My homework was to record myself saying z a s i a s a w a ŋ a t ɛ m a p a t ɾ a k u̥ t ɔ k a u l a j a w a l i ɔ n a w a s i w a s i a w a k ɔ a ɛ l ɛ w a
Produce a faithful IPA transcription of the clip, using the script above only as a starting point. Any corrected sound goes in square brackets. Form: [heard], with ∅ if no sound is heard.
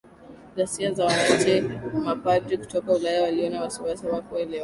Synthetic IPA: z a s i a [z] a w a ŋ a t ɛ m a p a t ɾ [i] k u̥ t ɔ k a u l a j a w a l i ɔ n a w a s i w a s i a w a k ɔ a ɛ l ɛ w a